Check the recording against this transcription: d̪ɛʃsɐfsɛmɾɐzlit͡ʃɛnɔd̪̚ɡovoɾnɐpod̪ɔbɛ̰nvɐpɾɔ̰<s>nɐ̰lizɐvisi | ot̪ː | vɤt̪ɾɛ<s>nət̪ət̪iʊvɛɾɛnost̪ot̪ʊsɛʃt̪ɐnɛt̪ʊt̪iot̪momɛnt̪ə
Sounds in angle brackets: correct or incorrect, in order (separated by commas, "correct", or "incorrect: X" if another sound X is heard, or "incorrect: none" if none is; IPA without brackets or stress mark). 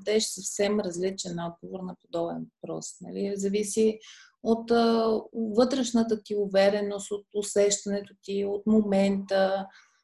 correct, incorrect: ʃ